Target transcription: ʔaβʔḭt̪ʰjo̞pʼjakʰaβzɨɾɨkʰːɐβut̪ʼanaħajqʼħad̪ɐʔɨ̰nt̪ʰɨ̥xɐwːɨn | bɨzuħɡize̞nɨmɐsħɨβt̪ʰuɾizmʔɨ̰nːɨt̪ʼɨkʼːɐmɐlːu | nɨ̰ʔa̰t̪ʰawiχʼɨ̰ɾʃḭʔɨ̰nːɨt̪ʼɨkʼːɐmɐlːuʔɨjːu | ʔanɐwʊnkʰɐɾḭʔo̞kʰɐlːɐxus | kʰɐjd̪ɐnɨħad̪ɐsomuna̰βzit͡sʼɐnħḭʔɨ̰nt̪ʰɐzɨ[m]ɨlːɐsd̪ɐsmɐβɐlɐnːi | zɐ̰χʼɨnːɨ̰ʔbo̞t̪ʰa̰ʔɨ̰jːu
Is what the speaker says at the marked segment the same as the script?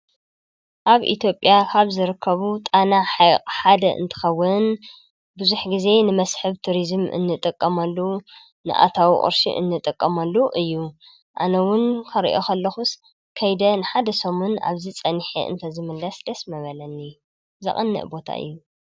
yes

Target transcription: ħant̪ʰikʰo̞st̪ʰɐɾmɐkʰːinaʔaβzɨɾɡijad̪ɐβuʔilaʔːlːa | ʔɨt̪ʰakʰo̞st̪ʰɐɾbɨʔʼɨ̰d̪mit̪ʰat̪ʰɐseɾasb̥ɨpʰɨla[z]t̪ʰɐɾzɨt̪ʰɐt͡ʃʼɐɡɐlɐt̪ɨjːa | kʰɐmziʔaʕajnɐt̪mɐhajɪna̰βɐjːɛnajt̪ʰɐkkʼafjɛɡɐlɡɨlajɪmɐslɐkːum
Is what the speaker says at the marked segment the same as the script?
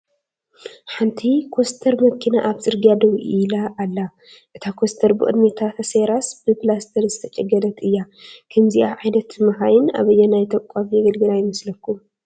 no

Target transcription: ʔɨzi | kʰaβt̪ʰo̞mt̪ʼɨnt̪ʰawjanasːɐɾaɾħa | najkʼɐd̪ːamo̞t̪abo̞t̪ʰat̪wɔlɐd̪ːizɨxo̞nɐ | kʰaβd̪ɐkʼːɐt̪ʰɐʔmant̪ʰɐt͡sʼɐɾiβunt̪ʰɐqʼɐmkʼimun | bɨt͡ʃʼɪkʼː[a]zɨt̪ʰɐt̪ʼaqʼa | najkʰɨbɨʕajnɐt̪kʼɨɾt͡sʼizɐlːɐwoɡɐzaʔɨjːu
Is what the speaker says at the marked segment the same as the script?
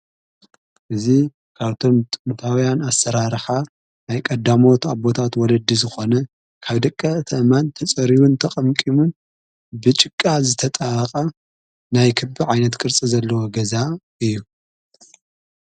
yes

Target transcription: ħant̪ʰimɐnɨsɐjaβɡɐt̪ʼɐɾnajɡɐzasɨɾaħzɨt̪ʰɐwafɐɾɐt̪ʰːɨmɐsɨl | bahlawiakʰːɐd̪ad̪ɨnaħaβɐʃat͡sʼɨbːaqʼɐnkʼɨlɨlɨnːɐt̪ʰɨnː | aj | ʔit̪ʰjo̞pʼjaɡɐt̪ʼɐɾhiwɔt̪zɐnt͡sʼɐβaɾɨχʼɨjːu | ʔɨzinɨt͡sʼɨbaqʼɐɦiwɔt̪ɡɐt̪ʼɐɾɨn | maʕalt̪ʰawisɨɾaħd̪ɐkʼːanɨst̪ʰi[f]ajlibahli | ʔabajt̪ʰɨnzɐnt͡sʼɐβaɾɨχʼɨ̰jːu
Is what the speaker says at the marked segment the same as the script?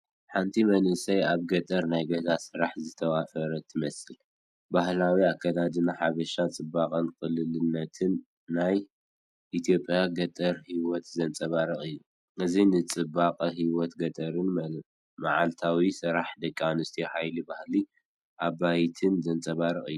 no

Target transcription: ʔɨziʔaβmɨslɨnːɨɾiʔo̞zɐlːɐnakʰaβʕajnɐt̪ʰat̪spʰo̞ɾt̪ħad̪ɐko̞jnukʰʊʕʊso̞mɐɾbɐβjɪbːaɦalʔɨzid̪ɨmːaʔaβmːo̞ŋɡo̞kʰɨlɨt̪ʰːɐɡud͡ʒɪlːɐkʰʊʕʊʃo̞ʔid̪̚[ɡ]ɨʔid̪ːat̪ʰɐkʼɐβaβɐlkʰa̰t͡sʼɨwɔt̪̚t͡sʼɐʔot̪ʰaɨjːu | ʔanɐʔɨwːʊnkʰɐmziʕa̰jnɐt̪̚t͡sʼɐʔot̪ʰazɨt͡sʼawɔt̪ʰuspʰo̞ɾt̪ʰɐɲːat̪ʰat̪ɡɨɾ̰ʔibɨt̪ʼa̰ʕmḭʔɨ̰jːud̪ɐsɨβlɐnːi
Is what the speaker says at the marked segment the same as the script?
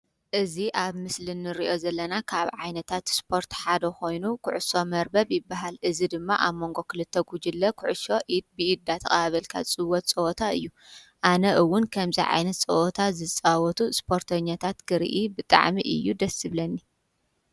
no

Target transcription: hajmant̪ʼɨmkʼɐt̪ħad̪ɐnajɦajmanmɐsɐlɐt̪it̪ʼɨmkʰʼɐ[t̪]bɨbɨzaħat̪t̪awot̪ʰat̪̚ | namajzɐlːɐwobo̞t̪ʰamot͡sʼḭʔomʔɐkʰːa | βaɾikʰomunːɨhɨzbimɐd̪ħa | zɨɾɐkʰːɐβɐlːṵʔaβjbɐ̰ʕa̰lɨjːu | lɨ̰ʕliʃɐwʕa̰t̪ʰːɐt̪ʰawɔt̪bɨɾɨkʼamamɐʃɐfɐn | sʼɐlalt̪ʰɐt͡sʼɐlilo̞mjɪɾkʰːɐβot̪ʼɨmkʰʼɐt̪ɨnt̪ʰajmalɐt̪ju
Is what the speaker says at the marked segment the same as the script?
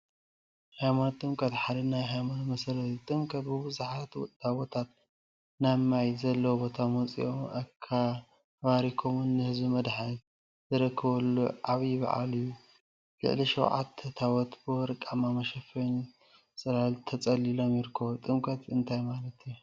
yes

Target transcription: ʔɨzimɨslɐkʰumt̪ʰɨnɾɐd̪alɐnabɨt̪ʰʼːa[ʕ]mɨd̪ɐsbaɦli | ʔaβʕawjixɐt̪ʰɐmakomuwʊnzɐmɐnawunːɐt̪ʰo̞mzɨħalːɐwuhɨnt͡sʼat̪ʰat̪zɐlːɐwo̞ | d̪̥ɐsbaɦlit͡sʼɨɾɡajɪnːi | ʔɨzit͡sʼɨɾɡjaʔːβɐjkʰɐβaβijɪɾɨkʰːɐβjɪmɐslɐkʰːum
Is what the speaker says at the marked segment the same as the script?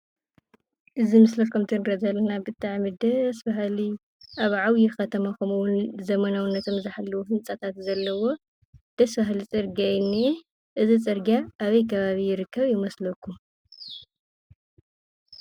yes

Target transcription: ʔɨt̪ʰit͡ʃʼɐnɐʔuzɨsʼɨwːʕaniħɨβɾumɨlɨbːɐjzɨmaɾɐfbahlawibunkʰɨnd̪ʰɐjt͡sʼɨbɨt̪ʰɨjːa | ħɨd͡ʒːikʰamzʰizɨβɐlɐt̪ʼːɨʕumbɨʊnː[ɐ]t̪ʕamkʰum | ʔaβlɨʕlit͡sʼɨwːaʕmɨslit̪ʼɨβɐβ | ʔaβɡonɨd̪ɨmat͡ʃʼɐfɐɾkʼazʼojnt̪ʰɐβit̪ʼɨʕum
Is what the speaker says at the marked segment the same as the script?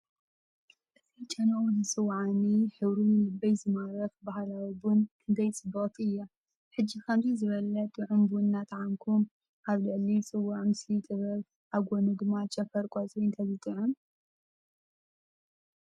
no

